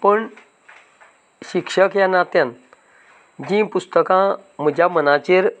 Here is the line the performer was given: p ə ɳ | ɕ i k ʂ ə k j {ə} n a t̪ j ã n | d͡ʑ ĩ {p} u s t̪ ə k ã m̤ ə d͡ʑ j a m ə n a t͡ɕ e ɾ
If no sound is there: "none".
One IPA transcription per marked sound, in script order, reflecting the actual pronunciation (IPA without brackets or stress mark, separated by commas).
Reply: a, p